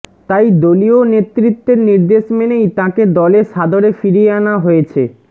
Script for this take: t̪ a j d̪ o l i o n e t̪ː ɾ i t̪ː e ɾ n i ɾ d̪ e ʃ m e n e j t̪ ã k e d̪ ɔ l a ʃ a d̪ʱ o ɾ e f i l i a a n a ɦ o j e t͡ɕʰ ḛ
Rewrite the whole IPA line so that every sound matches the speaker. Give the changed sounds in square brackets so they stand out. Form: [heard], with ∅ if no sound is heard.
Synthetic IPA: t̪ a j d̪ o l i o n e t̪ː ɾ i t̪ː e ɾ n i ɾ d̪ e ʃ m e n e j t̪ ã k e d̪ ɔ l [e] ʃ a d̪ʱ o ɾ e f i [ɾ] i [e] a n a ɦ o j e t͡ɕʰ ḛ